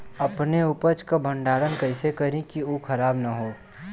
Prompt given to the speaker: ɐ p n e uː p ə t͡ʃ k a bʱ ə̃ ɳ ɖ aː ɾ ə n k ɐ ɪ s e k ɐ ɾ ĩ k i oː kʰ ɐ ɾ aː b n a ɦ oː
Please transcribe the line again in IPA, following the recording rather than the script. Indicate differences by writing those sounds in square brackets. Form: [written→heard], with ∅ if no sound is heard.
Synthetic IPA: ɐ p n e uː p ə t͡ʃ k a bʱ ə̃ ɳ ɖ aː ɾ ə n k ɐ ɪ s e k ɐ ɾ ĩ k i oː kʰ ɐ ɾ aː b n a ɦ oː